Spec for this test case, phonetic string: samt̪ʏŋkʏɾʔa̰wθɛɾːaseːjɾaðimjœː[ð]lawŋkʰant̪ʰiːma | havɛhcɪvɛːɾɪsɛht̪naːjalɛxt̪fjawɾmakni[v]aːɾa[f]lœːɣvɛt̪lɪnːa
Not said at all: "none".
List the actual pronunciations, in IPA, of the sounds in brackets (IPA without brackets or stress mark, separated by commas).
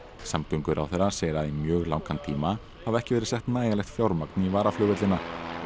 ɣ, v, f